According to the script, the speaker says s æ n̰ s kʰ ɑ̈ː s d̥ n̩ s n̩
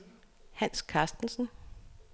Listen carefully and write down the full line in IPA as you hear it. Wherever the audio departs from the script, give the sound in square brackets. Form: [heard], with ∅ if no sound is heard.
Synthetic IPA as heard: [h] æ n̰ s kʰ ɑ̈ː s d̥ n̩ s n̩